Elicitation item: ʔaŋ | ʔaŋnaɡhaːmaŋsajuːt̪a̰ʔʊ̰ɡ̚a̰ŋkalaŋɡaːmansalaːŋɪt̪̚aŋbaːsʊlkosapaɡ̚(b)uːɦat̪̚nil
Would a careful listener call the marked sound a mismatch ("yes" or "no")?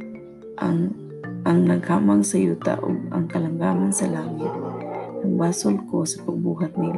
no